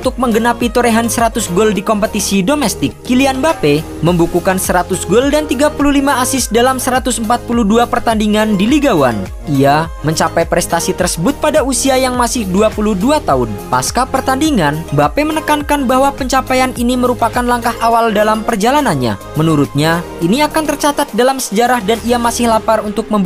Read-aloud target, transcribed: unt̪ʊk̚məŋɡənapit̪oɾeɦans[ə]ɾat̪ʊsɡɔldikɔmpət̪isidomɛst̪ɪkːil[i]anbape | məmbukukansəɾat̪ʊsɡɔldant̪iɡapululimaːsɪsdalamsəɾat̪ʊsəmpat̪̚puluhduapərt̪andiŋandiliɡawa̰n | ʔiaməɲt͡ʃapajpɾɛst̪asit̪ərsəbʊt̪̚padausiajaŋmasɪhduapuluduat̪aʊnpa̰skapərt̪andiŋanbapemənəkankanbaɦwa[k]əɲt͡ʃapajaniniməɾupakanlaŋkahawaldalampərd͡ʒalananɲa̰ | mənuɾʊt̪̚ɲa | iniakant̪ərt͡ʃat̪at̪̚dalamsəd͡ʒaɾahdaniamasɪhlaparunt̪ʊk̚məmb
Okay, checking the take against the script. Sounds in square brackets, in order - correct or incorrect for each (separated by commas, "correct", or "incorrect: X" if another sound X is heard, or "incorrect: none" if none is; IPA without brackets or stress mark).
correct, correct, incorrect: p